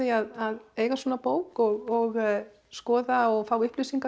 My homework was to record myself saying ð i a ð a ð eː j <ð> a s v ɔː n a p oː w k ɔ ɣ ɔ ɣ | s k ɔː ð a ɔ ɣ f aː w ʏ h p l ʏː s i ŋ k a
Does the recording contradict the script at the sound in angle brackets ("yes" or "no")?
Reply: yes